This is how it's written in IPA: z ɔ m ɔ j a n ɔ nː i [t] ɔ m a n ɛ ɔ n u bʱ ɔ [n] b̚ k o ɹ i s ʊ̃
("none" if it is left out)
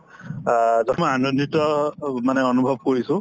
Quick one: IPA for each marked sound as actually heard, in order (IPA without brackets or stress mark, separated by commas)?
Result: t, none